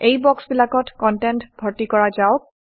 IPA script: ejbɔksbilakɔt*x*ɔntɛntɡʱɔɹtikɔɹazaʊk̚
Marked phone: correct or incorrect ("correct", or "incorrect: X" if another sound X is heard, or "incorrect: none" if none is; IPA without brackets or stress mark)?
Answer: incorrect: k